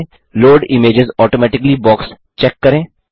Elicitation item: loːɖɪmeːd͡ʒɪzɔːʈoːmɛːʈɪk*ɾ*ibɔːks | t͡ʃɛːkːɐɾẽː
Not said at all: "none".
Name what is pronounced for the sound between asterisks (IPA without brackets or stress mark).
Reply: l